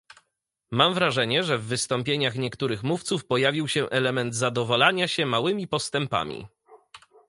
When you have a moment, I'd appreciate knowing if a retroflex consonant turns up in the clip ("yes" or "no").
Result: yes